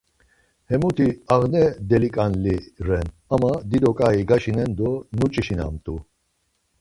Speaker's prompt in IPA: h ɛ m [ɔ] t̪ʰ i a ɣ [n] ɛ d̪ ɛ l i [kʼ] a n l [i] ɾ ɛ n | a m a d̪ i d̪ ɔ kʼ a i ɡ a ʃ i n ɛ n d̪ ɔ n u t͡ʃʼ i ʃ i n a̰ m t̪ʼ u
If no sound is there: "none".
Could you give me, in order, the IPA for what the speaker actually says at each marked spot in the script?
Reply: u, n, kʼ, i

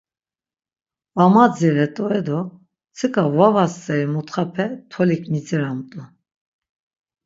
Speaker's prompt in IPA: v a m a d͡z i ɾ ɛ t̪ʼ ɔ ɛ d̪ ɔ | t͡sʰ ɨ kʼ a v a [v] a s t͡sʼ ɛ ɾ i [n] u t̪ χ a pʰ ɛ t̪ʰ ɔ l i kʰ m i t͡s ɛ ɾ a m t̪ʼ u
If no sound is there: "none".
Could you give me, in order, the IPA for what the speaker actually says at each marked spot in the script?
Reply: v, m

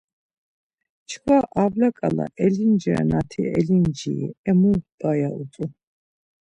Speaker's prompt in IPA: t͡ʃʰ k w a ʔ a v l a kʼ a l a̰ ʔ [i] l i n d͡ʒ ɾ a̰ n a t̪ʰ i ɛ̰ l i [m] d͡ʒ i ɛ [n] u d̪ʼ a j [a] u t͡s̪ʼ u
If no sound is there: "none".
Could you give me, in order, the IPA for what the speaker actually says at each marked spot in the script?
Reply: ɛ, n, m, a

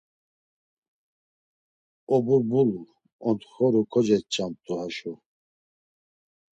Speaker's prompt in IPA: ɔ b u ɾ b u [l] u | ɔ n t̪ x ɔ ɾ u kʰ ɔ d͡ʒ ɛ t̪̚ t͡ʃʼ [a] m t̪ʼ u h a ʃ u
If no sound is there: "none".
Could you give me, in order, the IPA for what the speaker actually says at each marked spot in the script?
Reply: l, a

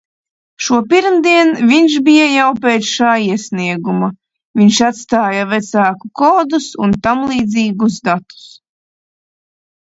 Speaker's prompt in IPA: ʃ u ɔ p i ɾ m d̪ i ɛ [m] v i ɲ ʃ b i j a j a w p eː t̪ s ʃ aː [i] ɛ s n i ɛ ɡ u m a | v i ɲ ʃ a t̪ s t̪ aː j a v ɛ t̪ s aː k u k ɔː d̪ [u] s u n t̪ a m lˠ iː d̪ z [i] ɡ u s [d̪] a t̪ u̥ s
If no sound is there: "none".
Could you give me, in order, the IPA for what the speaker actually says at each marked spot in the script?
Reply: n, i, u, iː, d̪

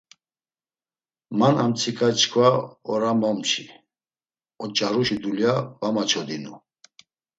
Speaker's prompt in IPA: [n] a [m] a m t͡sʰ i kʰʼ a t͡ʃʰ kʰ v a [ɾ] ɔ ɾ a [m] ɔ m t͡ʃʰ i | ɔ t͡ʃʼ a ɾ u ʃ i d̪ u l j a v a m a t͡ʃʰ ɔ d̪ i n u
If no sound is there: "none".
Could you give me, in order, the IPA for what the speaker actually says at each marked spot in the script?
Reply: m, n, none, m

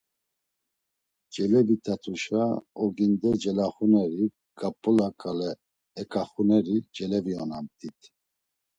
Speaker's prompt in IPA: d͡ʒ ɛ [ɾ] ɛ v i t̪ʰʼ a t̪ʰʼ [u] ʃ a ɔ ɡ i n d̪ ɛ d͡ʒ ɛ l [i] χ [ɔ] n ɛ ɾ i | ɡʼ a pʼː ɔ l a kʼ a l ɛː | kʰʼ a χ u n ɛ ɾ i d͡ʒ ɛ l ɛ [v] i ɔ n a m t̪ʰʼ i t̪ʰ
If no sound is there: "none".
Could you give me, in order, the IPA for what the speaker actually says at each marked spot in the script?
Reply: l, u, a, u, v

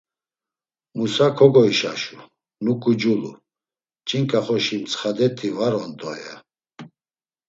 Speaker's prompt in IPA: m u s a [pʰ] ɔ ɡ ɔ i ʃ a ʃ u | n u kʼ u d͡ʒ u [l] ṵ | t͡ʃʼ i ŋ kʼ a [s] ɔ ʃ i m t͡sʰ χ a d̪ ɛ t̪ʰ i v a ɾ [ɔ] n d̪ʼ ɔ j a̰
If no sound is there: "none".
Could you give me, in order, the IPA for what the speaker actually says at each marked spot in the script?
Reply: kʰ, l, χ, ɔ

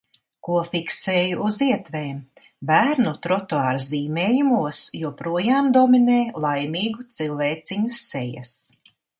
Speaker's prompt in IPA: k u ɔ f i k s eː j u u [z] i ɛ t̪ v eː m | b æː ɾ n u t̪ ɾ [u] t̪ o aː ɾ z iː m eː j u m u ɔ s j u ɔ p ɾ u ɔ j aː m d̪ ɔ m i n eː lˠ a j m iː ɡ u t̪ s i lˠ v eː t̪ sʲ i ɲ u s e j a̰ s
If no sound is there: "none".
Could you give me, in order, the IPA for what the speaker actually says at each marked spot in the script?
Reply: z, ɔ

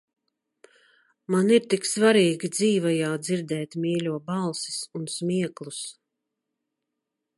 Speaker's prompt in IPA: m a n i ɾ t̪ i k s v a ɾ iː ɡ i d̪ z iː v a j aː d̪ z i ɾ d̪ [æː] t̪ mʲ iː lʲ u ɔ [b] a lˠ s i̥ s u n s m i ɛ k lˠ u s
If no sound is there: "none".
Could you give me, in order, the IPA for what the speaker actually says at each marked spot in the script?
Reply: ɛː, b

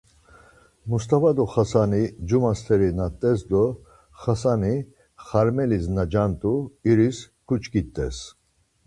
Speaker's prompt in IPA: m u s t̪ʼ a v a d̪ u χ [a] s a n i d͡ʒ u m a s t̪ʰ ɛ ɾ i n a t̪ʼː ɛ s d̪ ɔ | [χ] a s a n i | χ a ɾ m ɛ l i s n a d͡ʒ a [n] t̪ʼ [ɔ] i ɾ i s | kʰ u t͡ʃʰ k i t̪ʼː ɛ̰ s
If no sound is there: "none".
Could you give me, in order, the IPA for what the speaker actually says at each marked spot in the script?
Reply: a, χ, n, u

